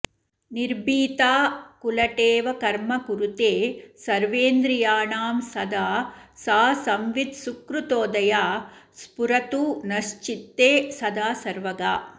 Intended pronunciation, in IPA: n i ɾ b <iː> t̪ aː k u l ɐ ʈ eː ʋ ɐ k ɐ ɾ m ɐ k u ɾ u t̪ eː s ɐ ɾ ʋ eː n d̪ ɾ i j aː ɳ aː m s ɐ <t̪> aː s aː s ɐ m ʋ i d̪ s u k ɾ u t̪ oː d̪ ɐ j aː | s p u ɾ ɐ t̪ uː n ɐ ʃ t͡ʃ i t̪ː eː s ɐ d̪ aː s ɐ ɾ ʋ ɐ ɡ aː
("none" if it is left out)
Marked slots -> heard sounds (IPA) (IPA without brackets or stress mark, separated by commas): iː, d̪